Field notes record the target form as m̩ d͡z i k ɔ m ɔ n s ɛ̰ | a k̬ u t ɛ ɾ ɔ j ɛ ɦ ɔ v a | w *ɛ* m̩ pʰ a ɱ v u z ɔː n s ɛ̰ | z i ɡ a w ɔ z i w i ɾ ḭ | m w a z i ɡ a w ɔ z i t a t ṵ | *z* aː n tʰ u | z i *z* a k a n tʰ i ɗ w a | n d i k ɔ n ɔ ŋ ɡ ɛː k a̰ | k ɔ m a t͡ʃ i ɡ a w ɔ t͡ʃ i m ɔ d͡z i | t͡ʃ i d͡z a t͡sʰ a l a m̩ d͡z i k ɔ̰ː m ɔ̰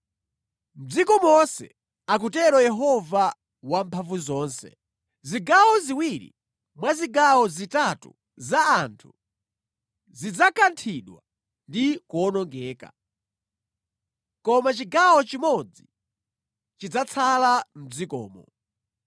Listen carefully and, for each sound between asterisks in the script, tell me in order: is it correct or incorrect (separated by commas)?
incorrect, correct, incorrect